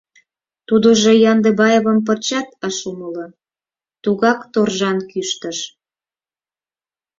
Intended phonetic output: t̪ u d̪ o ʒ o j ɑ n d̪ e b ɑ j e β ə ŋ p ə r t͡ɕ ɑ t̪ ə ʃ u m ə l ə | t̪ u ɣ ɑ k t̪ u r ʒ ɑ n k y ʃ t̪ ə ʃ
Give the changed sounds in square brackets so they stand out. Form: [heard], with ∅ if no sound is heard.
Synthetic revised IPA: t̪ u d̪ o ʒ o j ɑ n d̪ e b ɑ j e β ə [m] p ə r t͡ɕ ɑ t̪ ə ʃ u m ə l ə | t̪ u ɣ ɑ k t̪ [o] r ʒ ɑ n k y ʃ t̪ ə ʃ